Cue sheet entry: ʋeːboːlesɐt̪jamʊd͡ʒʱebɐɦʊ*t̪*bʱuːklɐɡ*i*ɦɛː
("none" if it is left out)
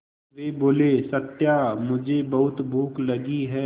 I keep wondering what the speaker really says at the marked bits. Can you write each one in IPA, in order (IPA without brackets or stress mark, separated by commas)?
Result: t̪, i